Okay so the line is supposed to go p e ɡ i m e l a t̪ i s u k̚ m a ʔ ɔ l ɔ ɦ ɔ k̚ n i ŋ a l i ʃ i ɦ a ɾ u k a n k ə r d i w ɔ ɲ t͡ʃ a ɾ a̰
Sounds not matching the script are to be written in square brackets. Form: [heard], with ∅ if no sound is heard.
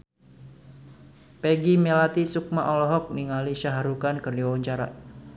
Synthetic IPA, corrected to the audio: p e ɡ i m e l a t̪ i s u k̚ m a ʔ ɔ l ɔ ɦ ɔ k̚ n i ŋ a l i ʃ [a] ɦ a ɾ u k a n k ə r d i w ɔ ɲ t͡ʃ a ɾ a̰